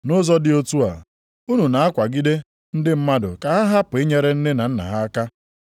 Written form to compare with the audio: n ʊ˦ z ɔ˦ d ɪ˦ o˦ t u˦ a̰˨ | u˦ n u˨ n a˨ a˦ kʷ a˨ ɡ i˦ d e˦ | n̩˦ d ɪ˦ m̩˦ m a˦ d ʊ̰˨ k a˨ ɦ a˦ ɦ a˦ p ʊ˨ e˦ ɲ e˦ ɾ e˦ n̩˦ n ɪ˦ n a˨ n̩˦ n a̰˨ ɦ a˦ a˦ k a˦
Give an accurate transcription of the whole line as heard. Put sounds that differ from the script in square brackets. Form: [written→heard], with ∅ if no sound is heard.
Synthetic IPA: n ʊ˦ z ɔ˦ d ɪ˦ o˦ t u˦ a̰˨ | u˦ n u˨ n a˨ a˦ kʷ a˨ ɡ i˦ d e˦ | n̩˦ d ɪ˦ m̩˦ m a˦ d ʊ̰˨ k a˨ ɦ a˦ ɦ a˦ p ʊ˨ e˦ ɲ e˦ ɾ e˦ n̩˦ n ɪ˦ n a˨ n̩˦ n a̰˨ ɦ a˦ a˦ k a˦